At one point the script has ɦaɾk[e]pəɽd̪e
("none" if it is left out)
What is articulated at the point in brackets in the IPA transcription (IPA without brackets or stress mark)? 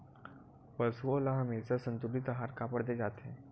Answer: a